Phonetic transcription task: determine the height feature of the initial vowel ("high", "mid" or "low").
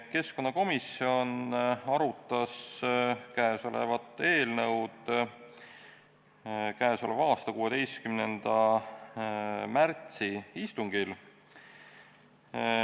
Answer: mid